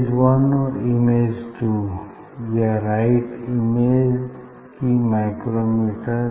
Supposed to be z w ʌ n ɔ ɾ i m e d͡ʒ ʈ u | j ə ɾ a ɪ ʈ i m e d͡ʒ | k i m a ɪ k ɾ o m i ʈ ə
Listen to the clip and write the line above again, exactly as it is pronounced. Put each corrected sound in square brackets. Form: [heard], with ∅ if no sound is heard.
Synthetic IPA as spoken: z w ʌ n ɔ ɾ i m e d͡ʒ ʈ u | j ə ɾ a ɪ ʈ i m e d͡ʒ | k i m a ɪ k ɾ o m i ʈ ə